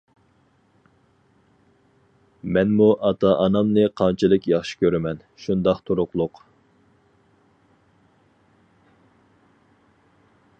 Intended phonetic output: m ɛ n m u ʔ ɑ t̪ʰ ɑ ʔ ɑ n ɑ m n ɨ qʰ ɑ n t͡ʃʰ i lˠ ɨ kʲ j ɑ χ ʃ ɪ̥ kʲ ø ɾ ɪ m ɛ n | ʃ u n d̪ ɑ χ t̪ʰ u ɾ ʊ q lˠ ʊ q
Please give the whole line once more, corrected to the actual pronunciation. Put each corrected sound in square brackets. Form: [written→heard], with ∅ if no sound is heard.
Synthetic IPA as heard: m ɛ n m u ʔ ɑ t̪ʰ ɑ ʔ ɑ n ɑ m n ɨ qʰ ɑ n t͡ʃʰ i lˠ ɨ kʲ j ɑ χ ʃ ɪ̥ kʲ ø ɾ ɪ m ɛ n | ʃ u n d̪ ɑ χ t̪ʰ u ɾ ʊ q lˠ ʊ q